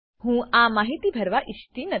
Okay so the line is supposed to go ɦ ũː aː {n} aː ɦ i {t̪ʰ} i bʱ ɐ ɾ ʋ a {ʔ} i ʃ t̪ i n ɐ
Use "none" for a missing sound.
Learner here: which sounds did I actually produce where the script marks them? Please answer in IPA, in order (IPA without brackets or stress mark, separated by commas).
m, t̪, ʔ